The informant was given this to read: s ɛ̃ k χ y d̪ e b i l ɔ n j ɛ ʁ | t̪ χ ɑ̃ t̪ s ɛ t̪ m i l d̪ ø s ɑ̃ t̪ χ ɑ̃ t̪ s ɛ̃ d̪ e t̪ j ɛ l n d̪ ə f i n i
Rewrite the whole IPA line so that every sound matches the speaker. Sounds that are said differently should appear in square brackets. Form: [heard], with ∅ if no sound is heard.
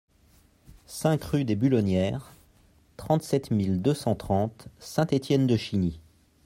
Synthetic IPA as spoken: s ɛ̃ k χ y d̪ e b [y] l ɔ n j ɛ ʁ | t̪ χ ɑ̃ t̪ s ɛ t̪ m i l d̪ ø s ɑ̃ t̪ χ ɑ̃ t̪ s ɛ̃ [t̪] e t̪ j ɛ [∅] n d̪ ə [ʃ] i n i